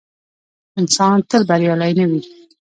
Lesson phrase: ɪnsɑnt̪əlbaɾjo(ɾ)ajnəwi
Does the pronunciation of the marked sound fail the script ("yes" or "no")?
yes